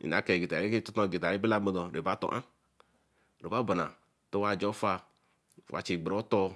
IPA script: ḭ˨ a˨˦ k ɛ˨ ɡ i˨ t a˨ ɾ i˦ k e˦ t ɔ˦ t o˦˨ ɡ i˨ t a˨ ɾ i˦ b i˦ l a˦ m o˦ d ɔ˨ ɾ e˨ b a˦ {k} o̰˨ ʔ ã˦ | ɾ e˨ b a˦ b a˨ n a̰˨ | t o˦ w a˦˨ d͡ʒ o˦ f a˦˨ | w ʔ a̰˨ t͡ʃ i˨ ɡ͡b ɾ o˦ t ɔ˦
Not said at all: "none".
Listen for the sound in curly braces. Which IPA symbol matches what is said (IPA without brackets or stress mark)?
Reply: t